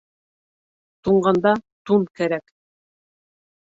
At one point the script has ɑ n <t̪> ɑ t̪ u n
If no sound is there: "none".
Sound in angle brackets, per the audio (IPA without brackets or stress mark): d̪